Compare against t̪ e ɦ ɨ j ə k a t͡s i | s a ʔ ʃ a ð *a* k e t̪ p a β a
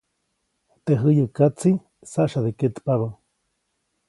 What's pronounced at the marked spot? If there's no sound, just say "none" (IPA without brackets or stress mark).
e